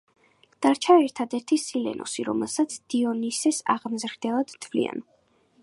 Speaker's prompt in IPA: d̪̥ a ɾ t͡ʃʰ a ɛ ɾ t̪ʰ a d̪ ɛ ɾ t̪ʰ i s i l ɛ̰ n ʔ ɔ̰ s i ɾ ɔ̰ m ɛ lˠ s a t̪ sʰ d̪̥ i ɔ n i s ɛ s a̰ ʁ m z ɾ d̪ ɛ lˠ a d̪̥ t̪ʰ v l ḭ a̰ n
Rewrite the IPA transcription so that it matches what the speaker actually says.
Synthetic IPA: d̪̥ a ɾ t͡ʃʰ a ɛ ɾ t̪ʰ a d̪ ɛ ɾ t̪ʰ i s i l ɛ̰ n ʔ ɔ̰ s i ɾ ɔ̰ m ɛ lˠ s a t̪ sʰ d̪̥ i ɔ n i s ɛ s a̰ ʁ m z ɾ d̪ ɛ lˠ a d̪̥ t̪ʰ v l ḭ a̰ n